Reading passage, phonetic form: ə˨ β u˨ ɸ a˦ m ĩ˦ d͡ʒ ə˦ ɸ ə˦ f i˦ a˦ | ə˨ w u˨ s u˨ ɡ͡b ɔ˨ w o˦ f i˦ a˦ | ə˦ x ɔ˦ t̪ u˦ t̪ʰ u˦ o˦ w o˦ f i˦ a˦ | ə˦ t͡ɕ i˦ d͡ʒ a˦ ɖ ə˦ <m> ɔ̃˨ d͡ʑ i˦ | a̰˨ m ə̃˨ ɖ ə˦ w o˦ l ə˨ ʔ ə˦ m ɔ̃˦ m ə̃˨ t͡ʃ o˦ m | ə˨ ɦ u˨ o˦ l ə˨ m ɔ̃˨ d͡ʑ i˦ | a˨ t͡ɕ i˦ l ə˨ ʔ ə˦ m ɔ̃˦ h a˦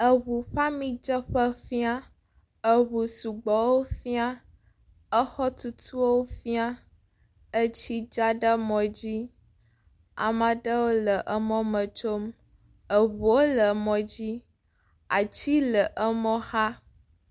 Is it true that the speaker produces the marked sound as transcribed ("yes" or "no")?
yes